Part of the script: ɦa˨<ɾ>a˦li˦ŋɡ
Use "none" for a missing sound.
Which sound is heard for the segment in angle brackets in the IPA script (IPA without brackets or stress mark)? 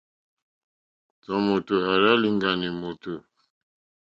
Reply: ɾ